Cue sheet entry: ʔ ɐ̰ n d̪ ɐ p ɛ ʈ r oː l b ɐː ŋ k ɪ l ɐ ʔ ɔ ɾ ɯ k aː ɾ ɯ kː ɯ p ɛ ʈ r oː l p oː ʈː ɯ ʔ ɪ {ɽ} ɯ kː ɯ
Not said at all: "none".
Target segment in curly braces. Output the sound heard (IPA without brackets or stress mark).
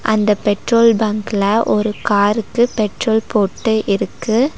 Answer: ɾ